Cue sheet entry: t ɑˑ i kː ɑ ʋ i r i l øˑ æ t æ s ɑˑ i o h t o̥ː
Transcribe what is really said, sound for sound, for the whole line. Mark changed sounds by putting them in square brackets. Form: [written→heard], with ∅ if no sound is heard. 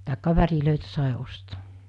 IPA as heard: t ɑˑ [i→e] kː ɑ ʋ [i→æ] r i l øˑ [æ→i] t æ s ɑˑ i o [h→s] t o̥ː